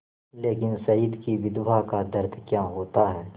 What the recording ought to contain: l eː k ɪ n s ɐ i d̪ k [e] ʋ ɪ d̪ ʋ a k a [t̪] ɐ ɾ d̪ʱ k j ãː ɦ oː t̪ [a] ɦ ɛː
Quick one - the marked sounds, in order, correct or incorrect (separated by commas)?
incorrect, incorrect, correct